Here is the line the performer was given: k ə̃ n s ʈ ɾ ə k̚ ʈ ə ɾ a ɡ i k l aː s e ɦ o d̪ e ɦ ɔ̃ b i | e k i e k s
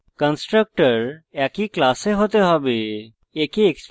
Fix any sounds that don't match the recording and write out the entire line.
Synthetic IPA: k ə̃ n s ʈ ɾ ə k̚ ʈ ə ɾ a k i k l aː s e ɦ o t̪ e ɦ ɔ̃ b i | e k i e k s